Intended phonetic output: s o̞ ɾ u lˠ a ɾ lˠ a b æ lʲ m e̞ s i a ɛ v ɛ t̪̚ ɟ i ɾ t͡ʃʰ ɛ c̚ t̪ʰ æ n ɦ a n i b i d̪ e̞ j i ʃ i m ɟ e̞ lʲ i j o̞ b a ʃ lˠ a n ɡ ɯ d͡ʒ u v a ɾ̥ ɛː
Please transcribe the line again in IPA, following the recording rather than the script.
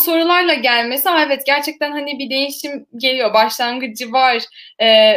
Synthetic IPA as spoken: s o̞ ɾ u lˠ a ɾ lˠ a ɟ æ lʲ m e̞ s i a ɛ v ɛ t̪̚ ɟ æ ɾ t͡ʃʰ ɛ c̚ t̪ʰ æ n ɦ a n i b i d̪ e̞ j i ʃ i m ɟ e̞ lʲ i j o̞ b a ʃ lˠ a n ɡ ɯ d͡ʒ ɯ v a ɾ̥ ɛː